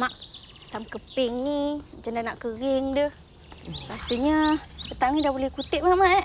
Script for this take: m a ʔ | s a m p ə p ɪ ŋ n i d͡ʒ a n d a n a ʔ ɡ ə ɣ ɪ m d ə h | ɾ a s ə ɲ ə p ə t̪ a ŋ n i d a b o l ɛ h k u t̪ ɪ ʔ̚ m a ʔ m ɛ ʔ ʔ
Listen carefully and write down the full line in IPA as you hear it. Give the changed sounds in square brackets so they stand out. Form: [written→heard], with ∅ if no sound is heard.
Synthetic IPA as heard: m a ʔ | s a m [p→k] ə p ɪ ŋ n i d͡ʒ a n d a n a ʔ [ɡ→k] ə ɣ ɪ [m→ŋ] d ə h | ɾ a s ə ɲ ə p ə t̪ a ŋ n i d a b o l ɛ h k u t̪ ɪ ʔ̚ m a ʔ m [ɛ→a] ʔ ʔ